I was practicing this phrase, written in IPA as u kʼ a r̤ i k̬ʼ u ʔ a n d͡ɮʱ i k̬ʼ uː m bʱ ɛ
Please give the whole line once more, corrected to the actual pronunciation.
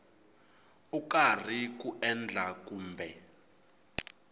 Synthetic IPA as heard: u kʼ a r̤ i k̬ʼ u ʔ ɛ n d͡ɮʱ a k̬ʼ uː m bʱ ɛ